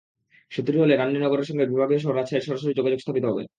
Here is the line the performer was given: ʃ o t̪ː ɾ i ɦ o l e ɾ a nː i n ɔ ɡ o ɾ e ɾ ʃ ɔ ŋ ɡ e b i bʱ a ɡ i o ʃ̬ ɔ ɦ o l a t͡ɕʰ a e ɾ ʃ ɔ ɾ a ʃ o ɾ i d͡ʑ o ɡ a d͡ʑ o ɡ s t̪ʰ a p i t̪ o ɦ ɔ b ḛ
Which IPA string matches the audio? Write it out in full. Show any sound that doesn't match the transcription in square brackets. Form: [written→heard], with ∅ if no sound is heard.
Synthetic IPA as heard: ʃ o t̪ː ɾ i ɦ o l e ɾ a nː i n ɔ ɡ o ɾ e ɾ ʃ ɔ ŋ ɡ e b i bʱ a ɡ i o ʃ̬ ɔ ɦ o [l→ɾ] a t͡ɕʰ a e ɾ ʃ ɔ ɾ a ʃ o ɾ i d͡ʑ o ɡ a d͡ʑ o ɡ s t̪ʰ a p i t̪ o ɦ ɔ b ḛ